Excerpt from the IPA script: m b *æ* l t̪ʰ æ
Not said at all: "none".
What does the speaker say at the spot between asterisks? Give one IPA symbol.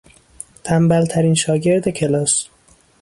æ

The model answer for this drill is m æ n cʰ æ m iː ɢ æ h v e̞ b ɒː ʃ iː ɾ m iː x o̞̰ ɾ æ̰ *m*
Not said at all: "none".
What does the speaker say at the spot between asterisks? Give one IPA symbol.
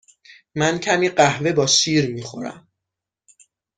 m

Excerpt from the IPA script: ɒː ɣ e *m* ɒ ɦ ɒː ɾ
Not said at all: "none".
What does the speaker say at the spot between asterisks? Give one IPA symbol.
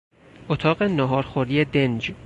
n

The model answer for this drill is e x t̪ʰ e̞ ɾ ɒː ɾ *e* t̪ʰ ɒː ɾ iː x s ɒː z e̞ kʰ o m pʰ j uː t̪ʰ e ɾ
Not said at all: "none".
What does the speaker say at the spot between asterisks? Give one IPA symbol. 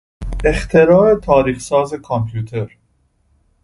e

